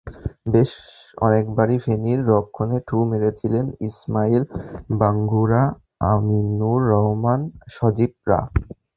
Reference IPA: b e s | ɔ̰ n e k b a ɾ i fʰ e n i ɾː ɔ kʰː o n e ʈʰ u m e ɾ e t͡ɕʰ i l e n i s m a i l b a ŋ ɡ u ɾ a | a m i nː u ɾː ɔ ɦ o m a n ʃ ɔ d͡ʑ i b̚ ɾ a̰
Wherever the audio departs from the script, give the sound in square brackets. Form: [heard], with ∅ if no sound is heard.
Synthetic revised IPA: b e [ʃ] | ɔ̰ n e k b a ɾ i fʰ e n i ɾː ɔ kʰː o n e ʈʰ u m e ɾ e t͡ɕʰ i l e n i s m a i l b a ŋ ɡ u ɾ a | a m i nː u ɾː ɔ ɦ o m a n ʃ ɔ d͡ʑ i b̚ ɾ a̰